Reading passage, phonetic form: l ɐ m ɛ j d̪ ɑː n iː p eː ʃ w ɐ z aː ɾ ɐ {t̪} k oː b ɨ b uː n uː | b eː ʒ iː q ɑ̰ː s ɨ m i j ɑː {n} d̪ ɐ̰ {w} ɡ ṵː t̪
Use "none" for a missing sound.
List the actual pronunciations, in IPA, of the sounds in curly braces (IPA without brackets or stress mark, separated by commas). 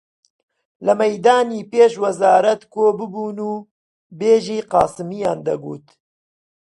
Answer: t̪, n, none